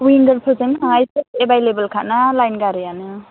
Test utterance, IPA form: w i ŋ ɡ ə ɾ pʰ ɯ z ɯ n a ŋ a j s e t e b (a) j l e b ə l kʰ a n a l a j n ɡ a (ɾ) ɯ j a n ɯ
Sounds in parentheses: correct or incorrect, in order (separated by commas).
correct, correct